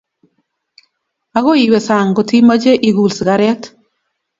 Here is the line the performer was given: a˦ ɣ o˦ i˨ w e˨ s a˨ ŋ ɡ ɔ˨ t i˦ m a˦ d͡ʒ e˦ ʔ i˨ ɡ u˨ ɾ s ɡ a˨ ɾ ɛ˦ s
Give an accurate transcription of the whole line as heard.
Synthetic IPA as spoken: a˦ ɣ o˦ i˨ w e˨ s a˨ ŋ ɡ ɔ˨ t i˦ m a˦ d͡ʒ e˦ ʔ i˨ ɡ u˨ l s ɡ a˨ ɾ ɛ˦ t